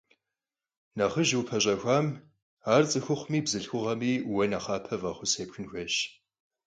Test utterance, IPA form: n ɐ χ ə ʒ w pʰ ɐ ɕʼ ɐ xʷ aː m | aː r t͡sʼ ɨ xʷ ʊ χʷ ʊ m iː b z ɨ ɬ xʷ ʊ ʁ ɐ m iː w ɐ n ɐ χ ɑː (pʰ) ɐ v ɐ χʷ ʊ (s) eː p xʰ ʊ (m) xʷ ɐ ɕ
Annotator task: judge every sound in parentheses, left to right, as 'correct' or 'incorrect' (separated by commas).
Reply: correct, correct, incorrect